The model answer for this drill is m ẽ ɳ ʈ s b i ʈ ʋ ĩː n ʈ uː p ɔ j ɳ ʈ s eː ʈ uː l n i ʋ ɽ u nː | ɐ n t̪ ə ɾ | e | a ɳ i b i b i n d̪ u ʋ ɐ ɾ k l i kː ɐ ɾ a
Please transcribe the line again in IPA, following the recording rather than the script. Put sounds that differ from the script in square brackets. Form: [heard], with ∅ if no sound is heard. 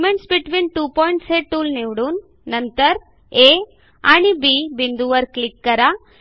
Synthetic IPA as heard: m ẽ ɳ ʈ s b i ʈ ʋ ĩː n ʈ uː p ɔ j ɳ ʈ s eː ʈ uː l n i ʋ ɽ u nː | ɐ n t̪ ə ɾ | e | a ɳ i b i b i n d̪ u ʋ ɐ ɾ k l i kː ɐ ɾ a

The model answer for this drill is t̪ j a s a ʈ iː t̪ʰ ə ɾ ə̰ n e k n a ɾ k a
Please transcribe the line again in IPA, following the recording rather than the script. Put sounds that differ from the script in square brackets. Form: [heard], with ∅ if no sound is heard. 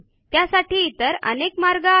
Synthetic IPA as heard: t̪ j a s a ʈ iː [t̪] ə ɾ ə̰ n e k [m] a ɾ [ɡ] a

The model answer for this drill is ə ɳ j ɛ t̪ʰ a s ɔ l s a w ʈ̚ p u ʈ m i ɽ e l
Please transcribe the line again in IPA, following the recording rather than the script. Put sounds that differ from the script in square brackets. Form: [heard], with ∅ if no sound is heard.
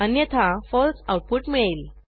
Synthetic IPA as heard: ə [n] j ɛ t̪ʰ a [f] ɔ l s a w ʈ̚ p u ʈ m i [ɭ] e l

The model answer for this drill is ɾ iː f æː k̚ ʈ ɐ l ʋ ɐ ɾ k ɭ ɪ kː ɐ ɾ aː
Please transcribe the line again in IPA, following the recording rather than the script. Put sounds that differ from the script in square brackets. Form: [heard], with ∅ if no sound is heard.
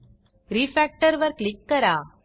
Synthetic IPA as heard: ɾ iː f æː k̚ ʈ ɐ [ɾ] ʋ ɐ ɾ k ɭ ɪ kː ɐ ɾ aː

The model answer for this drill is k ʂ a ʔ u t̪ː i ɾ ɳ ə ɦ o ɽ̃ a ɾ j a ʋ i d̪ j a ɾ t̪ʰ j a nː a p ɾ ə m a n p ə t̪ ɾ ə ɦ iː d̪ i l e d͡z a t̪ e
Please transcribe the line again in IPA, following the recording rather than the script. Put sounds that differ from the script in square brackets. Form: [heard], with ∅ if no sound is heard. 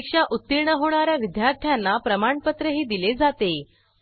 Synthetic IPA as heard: k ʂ a ʔ u t̪ː i ɾ ɳ ə ɦ o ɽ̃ a ɾ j a ʋ i d̪ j a ɾ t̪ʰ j a nː a p ɾ ə m a [ɳ] p ə t̪ ɾ ə ɦ iː d̪ i l e d͡z a t̪ e

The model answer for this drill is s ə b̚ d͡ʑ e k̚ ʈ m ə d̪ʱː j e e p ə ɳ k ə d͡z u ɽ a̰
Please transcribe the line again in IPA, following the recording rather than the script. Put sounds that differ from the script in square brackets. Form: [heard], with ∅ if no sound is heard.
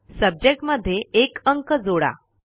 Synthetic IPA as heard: s ə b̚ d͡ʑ e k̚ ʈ m ə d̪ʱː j e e [k] ə [ŋ] k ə d͡z [o] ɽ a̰

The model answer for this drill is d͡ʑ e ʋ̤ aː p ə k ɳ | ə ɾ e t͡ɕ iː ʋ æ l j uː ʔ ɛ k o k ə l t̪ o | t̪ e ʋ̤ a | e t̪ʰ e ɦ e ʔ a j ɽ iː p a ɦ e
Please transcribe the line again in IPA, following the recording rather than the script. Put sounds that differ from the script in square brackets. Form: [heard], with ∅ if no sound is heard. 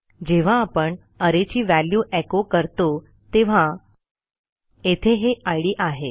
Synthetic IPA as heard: d͡ʑ e ʋ̤ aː p ə [∅] ɳ | ə ɾ e t͡ɕ iː ʋ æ l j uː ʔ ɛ k o k ə [ɾ] t̪ o | t̪ e ʋ̤ a | e t̪ʰ e ɦ e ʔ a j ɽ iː [ʔ] a ɦ e

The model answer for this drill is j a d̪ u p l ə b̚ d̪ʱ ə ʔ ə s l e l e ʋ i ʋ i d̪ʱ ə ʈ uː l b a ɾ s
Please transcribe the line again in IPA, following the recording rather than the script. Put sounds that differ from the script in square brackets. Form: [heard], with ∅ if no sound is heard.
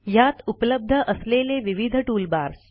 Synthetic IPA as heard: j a [t̪] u p l ə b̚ d̪ʱ ə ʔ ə s l e l e ʋ i ʋ i d̪ʱ ə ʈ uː l b a ɾ s

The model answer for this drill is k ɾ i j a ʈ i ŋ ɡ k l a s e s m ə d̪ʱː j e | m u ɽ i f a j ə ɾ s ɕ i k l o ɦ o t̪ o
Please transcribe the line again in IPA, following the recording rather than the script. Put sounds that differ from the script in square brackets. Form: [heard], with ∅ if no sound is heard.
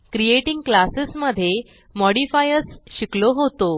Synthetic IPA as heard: k ɾ i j [e] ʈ i ŋ ɡ k l a s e s m ə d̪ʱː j e | m [ɔ] ɽ i f a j ə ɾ s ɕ i k l o ɦ o t̪ o

